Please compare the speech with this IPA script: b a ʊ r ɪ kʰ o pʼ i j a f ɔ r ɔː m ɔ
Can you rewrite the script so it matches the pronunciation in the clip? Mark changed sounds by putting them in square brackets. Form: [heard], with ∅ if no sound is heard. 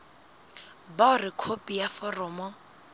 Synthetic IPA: b a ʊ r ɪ kʰ o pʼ i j a f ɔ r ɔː m ɔ